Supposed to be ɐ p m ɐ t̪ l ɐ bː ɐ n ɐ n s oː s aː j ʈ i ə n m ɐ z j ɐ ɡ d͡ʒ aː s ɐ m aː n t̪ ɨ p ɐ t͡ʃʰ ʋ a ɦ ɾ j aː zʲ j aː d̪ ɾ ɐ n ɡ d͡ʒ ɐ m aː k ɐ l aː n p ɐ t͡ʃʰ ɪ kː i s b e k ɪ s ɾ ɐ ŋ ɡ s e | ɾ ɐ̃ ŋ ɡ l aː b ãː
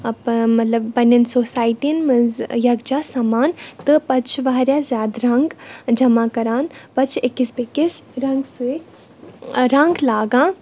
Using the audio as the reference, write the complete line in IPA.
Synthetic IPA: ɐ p m ɐ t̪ l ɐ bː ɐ n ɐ n s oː s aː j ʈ i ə n m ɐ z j ɐ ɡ d͡ʒ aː s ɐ m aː n t̪ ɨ p ɐ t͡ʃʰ ʋ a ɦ ɾ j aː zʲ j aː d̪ ɾ ɐ ŋ ɡ d͡ʒ ɐ m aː k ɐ ɾ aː n p ɐ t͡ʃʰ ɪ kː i s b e k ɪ s ɾ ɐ ŋ ɡ s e | ɾ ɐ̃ ŋ ɡ l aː ɡ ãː